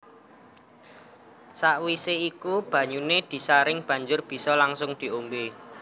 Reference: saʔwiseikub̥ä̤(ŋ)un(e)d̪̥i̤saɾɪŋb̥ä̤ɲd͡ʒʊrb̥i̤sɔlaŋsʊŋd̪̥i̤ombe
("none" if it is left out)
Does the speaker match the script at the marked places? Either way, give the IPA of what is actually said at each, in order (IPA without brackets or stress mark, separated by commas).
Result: ɲ, e